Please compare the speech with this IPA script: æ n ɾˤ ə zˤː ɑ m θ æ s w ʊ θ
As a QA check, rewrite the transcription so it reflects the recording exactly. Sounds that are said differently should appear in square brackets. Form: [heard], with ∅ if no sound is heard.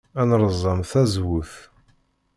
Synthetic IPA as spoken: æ n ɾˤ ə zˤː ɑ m θ æ [z] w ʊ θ